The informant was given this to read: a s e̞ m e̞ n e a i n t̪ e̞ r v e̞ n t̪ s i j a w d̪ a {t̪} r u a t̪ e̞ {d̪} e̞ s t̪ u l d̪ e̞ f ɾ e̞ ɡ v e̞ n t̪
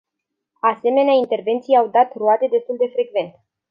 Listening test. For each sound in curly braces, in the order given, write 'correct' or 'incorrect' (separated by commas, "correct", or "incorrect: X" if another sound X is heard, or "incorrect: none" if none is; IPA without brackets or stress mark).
correct, correct